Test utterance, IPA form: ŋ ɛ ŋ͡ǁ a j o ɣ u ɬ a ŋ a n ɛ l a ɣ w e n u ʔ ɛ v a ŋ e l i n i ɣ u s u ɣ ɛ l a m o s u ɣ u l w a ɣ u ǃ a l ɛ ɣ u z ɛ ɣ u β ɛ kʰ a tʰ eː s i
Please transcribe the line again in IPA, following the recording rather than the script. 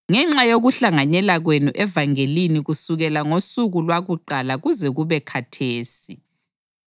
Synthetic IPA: ŋ ɛ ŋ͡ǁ a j o ɣ u ɬ a ŋ a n ɛ l a ɣ w e n u ʔ ɛ v a ŋ e l i n i ɣ u s u ɣ ɛ l a ŋ o s u ɣ u l w a ɣ u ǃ a l a ɣ u z ɛ ɣ u β ɛ kʰ a tʰ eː s i